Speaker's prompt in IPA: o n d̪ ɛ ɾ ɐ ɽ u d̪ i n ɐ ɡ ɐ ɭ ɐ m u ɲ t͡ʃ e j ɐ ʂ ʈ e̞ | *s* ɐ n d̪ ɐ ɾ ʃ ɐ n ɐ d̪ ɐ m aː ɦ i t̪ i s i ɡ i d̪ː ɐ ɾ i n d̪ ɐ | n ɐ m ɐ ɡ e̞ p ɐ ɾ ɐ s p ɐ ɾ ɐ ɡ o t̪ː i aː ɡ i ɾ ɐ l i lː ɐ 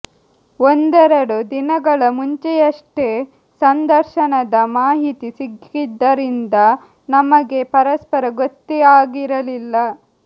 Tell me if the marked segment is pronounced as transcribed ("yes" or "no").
yes